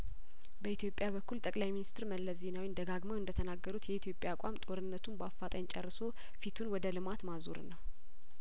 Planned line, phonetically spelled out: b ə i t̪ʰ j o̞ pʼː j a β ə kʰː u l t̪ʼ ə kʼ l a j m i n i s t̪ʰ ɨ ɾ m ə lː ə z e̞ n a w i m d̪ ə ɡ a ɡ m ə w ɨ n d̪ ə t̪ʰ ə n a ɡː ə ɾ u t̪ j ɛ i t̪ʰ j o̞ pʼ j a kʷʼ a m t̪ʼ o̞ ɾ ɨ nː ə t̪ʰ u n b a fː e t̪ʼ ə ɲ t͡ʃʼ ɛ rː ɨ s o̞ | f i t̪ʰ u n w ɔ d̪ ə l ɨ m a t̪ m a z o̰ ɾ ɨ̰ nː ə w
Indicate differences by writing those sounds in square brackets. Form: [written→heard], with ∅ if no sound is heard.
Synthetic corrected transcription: b ə i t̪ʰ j o̞ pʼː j a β ə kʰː u l t̪ʼ ə kʼ l a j m i n i s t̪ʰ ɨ ɾ m ə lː ə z e̞ n a w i [m→n] d̪ ə ɡ a ɡ m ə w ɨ n d̪ ə t̪ʰ ə n a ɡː ə ɾ u t̪ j ɛ i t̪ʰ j o̞ pʼ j a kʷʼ a m t̪ʼ o̞ ɾ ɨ nː ə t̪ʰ u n b a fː [e→a] t̪ʼ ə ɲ t͡ʃʼ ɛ rː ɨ s o̞ | f i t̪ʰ u n w ɔ d̪ ə l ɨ m a t̪ m a z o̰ ɾ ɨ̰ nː ə w